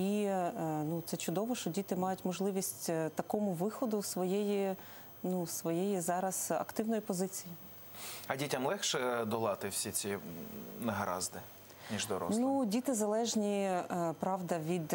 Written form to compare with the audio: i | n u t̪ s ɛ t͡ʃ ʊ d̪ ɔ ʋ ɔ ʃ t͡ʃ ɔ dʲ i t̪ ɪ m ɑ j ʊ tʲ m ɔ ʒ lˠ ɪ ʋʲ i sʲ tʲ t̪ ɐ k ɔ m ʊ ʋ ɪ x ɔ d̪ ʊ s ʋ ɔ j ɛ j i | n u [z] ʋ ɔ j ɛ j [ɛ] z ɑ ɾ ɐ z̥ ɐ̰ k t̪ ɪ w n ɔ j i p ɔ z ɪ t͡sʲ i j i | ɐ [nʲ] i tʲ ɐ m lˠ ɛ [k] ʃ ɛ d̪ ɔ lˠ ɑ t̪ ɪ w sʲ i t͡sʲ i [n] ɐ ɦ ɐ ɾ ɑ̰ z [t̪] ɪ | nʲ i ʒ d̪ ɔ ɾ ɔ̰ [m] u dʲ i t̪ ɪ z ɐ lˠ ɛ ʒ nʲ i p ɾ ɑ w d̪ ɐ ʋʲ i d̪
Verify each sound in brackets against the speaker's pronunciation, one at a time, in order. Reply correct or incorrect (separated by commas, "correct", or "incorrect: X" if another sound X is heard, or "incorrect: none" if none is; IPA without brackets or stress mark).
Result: incorrect: s, incorrect: i, incorrect: dʲ, incorrect: x, correct, incorrect: d̪, incorrect: n